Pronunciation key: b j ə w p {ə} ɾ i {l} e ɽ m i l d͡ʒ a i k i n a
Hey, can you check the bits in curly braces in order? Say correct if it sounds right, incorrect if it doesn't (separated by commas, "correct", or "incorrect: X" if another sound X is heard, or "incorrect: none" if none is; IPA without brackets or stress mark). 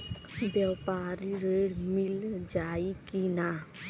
incorrect: a, incorrect: ɾ